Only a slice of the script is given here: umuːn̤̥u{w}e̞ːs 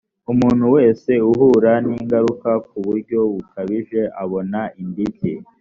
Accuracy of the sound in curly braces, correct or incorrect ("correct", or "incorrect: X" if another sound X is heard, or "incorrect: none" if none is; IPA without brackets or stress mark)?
correct